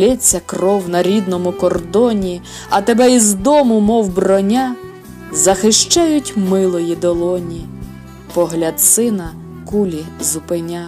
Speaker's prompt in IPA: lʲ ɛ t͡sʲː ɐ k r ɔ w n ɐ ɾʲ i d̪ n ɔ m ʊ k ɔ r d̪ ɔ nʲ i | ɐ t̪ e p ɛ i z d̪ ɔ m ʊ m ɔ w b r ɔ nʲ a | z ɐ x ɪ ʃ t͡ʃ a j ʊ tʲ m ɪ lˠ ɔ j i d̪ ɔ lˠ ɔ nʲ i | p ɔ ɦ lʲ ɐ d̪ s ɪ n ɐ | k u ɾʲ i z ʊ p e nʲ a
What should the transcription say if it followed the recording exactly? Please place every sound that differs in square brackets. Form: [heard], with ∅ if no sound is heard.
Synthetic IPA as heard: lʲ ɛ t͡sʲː ɐ k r ɔ w n ɐ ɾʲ i d̪ n ɔ m ʊ k ɔ r d̪ ɔ nʲ i | ɐ t̪ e [b] ɛ i z d̪ ɔ m ʊ m ɔ w b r ɔ nʲ a | z ɐ x ɪ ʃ t͡ʃ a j ʊ tʲ m ɪ lˠ ɔ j i d̪ ɔ lˠ ɔ nʲ i | p ɔ ɦ lʲ ɐ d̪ s ɪ n ɐ | k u [lʲ] i z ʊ p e nʲ a